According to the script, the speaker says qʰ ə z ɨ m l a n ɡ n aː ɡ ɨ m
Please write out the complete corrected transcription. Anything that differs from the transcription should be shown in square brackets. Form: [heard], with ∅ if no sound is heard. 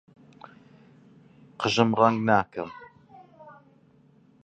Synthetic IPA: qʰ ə [ʒ] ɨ m [r] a [ŋ] ɡ n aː [k] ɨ m